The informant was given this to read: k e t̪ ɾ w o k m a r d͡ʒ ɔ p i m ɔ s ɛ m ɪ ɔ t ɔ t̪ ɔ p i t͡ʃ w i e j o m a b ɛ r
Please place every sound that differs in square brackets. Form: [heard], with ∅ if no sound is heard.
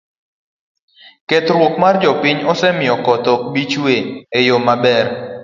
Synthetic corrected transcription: k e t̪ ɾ w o k m a r d͡ʒ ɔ p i [ɲ] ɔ s ɛ m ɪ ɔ [k] ɔ t̪ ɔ [b] i t͡ʃ w [e] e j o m a b ɛ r